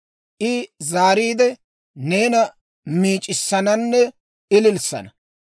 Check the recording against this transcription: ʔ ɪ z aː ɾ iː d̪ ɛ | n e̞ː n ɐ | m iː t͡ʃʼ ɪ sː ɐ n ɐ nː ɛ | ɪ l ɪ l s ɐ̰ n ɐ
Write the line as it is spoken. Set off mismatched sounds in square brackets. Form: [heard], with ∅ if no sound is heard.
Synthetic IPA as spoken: ʔ ɪ z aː ɾ iː d̪ ɛ | n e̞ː n ɐ | m iː t͡ʃʼ ɪ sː ɐ n ɐ nː ɛ | ɪ l ɪ l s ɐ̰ n ɐ